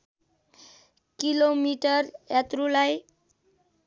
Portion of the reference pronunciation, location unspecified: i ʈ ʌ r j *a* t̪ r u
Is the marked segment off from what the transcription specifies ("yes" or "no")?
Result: no